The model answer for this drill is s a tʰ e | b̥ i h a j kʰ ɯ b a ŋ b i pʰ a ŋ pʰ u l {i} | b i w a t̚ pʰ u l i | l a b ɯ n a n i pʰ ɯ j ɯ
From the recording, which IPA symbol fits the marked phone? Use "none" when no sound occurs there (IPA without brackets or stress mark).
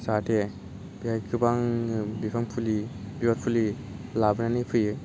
i